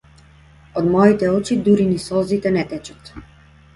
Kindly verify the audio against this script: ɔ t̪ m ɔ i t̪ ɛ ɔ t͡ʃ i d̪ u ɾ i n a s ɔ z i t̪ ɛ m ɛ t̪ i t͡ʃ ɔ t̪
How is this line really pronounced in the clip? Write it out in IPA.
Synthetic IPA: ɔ d̪ m ɔ i t̪ ɛ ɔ t͡ʃ i d̪ u ɾ i n i s ɔ z i t̪ ɛ n ɛ t̪ ɛ t͡ʃ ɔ t̪